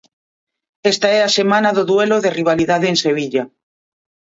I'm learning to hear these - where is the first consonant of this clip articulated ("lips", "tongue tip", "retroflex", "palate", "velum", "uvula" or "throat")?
tongue tip